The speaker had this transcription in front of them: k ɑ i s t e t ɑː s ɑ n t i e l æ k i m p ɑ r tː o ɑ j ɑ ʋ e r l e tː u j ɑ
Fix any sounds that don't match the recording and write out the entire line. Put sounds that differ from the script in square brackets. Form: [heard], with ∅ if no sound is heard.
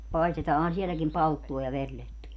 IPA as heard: [p] ɑ i s t e t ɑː [h] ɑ n [s] i e l æ k i m p ɑ [l] tː [u] ɑ j ɑ ʋ e r l e tː u j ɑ